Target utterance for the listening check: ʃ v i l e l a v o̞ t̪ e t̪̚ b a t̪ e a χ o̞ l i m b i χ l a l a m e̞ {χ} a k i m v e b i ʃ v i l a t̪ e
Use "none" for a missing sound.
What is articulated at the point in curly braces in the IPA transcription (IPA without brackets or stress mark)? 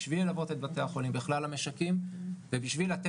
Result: ʃ